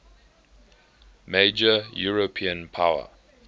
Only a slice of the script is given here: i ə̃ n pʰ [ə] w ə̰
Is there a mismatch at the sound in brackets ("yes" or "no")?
yes